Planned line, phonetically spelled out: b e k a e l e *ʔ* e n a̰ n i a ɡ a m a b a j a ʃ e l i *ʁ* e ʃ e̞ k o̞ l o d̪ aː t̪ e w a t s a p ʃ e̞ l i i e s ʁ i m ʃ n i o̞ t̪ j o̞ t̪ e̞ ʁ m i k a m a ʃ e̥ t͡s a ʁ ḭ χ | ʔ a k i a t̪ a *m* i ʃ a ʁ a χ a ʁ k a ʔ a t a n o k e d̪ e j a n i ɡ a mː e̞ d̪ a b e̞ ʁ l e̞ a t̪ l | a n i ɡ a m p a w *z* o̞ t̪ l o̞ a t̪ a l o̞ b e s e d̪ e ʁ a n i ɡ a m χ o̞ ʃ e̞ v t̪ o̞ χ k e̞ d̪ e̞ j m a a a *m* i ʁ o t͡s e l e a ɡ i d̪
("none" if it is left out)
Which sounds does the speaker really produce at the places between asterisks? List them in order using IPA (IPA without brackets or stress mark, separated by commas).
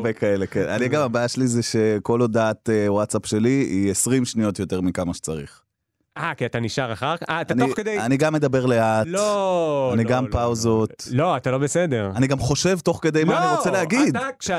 k, z, n, z, n